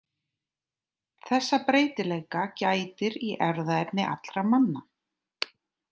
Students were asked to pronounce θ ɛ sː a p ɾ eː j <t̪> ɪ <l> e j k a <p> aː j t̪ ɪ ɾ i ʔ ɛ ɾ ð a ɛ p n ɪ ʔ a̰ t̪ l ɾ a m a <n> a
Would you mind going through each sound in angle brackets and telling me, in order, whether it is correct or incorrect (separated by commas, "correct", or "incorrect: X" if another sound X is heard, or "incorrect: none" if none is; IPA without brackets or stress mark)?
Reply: correct, correct, incorrect: c, incorrect: nː